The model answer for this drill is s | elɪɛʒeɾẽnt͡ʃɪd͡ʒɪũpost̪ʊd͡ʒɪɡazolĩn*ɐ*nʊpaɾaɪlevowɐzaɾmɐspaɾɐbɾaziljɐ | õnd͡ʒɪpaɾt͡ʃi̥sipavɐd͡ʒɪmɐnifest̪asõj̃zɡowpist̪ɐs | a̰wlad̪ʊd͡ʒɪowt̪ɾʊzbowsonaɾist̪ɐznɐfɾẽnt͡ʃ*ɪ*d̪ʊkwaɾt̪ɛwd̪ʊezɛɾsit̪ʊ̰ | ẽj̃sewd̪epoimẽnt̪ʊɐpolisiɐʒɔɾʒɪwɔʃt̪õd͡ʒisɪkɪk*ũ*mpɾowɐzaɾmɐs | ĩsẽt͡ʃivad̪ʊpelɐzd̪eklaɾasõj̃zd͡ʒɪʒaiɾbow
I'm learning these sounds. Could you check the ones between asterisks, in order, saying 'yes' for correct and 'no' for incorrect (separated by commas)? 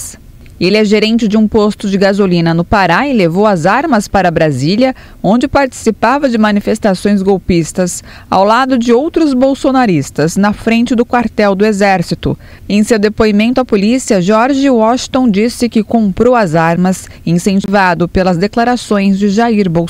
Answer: yes, yes, no